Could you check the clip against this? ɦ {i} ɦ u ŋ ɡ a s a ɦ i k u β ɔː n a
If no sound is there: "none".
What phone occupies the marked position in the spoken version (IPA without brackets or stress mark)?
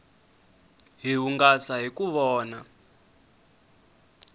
i